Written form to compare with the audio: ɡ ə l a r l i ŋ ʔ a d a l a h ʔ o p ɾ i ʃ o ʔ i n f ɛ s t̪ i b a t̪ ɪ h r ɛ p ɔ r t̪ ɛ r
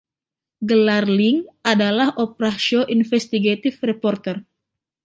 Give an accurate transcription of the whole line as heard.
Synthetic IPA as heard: ɡ ə l a r l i ŋ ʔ a d a l a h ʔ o p ɾ a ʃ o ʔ i n f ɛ s t̪ i ɡ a t̪ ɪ f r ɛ p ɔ r t̪ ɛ r